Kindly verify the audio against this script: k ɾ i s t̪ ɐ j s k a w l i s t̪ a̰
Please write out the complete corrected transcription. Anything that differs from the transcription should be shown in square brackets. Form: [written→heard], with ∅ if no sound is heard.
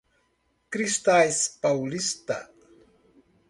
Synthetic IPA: k ɾ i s t̪ [ɐ→a] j s [k→p] a w l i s t̪ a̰